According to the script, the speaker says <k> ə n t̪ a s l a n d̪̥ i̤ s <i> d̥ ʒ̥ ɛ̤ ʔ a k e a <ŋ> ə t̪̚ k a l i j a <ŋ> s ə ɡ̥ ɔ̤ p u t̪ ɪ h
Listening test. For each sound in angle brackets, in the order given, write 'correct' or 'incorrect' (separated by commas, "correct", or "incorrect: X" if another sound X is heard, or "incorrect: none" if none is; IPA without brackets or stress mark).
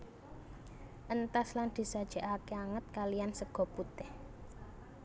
incorrect: ʔ, incorrect: a, correct, incorrect: n